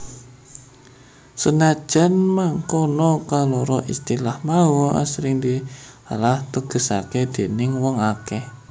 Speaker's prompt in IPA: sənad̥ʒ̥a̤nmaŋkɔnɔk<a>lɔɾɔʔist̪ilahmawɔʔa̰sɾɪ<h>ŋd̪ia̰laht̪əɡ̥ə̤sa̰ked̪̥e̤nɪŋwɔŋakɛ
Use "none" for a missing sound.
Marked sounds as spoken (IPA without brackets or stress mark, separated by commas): a, none